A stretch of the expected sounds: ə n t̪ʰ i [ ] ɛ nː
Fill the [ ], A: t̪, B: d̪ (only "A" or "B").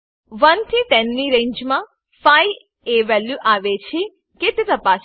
A